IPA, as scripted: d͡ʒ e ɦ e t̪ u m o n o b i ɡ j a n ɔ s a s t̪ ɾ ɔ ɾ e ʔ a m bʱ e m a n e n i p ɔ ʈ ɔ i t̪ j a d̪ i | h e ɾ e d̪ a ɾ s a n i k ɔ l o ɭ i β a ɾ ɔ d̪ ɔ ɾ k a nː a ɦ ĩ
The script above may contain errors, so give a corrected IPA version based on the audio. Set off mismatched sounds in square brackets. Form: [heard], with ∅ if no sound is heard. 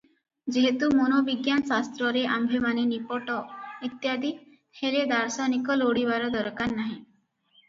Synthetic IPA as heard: d͡ʒ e ɦ e t̪ u m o n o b i ɡ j a n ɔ s a s t̪ ɾ ɔ ɾ e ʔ a m bʱ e m a n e n i p ɔ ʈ ɔ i t̪ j a d̪ i | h e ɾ e d̪ a ɾ s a n i k ɔ l o [ɽ] i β a ɾ ɔ d̪ ɔ ɾ k a nː a ɦ ĩ